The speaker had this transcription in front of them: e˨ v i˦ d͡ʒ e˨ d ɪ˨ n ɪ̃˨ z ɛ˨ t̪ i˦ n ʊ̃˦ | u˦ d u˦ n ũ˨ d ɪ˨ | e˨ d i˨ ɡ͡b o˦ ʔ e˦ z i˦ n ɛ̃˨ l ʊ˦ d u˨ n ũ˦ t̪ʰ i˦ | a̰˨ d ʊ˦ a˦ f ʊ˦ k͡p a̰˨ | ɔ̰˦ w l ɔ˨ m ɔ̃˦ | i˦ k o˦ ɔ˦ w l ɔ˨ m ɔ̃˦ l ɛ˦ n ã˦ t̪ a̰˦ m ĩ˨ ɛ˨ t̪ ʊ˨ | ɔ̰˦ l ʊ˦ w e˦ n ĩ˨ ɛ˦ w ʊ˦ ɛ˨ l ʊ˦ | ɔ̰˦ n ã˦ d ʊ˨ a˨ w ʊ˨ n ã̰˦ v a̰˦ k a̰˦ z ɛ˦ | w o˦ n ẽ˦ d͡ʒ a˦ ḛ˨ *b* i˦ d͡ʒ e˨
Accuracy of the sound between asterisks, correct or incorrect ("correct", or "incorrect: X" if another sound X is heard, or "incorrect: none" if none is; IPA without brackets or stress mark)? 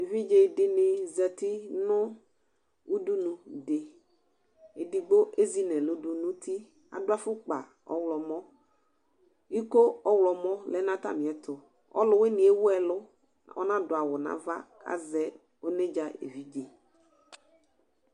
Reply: incorrect: v